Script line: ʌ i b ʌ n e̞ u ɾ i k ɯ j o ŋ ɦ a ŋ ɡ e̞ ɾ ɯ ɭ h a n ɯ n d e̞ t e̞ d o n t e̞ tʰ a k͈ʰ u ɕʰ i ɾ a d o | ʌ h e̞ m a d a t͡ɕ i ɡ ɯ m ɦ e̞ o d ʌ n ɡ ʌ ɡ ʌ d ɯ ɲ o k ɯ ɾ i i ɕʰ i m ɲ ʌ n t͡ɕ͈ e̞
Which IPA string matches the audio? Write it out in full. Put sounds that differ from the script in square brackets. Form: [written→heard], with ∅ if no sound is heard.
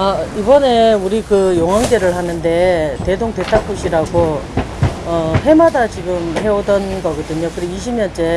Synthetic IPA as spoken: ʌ i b ʌ n e̞ u ɾ i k ɯ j o ŋ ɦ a ŋ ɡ e̞ ɾ ɯ ɭ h a n ɯ n d e̞ t e̞ d o [n→ŋ] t e̞ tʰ a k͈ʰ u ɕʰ i ɾ a [d→ɡ] o | ʌ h e̞ m a d a t͡ɕ i ɡ ɯ m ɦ e̞ o d ʌ n ɡ ʌ ɡ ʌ d ɯ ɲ o k ɯ ɾ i i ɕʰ i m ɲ ʌ n t͡ɕ͈ e̞